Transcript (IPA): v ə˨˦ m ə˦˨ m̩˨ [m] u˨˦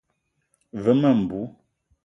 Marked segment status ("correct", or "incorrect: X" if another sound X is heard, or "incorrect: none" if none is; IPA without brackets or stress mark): incorrect: b